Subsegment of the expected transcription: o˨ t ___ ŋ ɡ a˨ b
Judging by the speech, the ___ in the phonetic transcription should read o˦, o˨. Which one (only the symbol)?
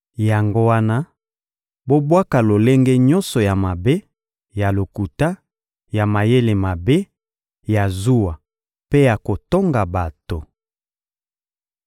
o˦